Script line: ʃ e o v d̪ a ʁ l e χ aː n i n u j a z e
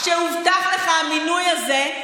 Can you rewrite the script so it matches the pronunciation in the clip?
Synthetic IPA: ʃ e u v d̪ a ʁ l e χ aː m i n u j a z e